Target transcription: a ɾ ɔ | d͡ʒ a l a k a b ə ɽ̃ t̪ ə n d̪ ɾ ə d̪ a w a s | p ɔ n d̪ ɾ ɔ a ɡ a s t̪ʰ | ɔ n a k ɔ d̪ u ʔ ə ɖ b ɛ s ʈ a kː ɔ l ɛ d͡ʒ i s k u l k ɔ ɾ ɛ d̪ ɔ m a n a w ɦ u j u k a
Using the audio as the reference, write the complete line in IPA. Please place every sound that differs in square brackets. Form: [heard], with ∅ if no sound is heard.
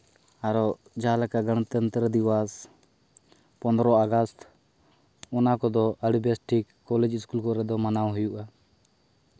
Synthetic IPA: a ɾ ɔ | d͡ʒ a l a k a [ɡ] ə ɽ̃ t̪ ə n [t̪] ɾ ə d̪ [i] w a s | p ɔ n d̪ ɾ ɔ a ɡ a s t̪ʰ | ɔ n a k ɔ d̪ [ɔ] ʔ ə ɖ b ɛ s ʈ [i] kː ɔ l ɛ d͡ʒ i s k u l k ɔ ɾ ɛ d̪ ɔ m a n a w ɦ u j u [ʔ] a

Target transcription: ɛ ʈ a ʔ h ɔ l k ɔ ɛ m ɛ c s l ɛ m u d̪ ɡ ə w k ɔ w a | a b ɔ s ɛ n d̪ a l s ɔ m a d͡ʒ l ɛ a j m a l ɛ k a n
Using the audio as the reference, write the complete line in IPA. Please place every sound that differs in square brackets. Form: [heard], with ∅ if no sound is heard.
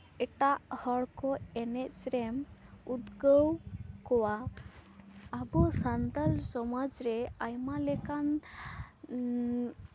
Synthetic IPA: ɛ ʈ a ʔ h ɔ [ɽ] k ɔ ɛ [n] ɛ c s [ɾ] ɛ m u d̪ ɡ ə w k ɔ w a | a b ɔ s [a] n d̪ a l s ɔ m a d͡ʒ [ɾ] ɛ a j m a l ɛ k a n

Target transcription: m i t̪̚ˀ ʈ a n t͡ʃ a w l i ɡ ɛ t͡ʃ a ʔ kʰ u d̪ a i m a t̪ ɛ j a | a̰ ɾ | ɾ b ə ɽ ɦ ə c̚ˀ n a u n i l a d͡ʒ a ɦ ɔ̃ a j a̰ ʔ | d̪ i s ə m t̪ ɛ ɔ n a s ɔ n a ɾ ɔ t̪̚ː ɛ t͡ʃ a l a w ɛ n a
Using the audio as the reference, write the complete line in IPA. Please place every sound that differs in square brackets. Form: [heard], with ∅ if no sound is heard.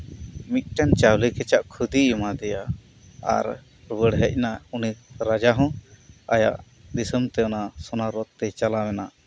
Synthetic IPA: m i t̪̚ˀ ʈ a n t͡ʃ a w l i [k] ɛ t͡ʃ a ʔ kʰ u d̪ [i] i m a [d̪] ɛ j a | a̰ ɾ | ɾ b ə ɽ ɦ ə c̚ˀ n a u n i [ɾ] a d͡ʒ a ɦ ɔ̃ a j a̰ ʔ | d̪ i s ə m t̪ ɛ ɔ n a s ɔ n a ɾ ɔ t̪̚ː ɛ t͡ʃ a l a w ɛ n a

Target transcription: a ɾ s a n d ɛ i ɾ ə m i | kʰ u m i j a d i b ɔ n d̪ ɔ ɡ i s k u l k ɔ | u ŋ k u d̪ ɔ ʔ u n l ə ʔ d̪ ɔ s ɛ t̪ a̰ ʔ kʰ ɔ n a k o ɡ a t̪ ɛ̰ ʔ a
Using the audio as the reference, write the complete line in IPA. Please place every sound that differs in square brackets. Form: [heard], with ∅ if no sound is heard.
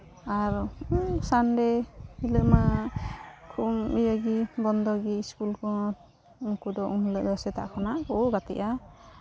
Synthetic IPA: a ɾ s a n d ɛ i [l] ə m [a] | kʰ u m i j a [ɡ] i b ɔ n d̪ ɔ ɡ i s k u l k ɔ | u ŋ k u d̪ ɔ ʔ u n l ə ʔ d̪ ɔ s ɛ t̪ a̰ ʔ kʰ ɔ n a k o ɡ a t̪ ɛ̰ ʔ a

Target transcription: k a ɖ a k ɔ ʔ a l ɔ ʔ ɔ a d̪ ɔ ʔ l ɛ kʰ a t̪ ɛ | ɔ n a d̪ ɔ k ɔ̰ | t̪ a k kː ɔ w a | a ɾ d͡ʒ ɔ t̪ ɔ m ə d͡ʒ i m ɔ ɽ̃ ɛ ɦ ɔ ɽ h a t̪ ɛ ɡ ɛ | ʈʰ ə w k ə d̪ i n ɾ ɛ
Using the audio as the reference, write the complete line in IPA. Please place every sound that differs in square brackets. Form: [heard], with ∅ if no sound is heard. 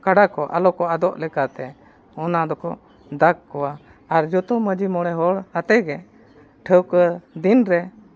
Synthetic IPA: k a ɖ a k ɔ ʔ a l ɔ [k] ɔ a d̪ ɔ ʔ l ɛ [k] a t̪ ɛ | ɔ n a d̪ ɔ k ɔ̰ | [d̪] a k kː ɔ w a | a ɾ d͡ʒ ɔ t̪ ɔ m ə d͡ʒ i m ɔ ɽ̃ ɛ ɦ ɔ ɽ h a t̪ ɛ ɡ ɛ | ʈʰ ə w k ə d̪ i n ɾ ɛ

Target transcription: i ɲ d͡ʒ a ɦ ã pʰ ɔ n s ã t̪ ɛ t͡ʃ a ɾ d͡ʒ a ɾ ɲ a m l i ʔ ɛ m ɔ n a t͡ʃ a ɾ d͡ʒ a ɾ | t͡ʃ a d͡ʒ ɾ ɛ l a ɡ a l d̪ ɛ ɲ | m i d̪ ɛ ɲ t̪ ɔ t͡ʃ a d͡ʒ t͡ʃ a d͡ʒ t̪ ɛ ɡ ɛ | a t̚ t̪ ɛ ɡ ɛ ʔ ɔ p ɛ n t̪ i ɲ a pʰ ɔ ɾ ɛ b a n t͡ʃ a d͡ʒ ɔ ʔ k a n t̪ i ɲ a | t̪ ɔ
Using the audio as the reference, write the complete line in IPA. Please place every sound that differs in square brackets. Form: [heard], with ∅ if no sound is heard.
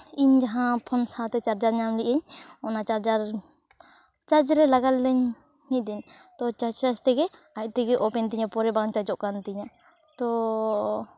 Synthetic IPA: i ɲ d͡ʒ a ɦ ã pʰ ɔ n s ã t̪ ɛ t͡ʃ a ɾ d͡ʒ a ɾ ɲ a m l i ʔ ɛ [ɲ] ɔ n a t͡ʃ a ɾ d͡ʒ a ɾ | t͡ʃ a d͡ʒ ɾ ɛ l a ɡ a l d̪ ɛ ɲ | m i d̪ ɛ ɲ t̪ ɔ t͡ʃ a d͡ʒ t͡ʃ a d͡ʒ t̪ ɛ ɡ ɛ | a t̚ t̪ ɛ ɡ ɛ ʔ ɔ p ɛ n t̪ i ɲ a [p] ɔ ɾ ɛ b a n t͡ʃ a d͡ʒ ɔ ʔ k a n t̪ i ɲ a | t̪ ɔ

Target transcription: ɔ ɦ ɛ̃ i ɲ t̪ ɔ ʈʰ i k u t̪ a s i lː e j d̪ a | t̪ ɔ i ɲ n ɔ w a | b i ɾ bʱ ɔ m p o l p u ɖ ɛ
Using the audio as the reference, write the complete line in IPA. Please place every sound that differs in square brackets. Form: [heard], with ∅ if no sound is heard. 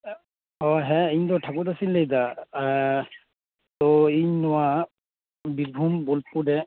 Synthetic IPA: ɔ ɦ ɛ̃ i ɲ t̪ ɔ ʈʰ [a] k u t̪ a s i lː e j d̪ a | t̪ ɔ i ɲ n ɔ w a | b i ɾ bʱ [u] m [b] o l p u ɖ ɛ

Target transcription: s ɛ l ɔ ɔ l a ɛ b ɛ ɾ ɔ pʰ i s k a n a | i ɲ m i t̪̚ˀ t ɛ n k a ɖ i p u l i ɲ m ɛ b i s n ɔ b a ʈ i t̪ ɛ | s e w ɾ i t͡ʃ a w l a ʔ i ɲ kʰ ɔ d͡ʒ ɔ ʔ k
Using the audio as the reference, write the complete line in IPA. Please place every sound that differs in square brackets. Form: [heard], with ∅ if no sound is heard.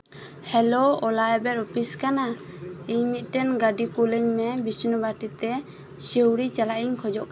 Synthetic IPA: [h] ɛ l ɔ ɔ l a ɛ b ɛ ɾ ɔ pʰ i s k a n a | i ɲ m i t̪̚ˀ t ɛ n [ɡ] a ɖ i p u l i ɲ m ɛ b i s n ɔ b a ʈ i t̪ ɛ | s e w ɾ i t͡ʃ a [∅] l a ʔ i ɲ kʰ ɔ d͡ʒ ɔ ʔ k

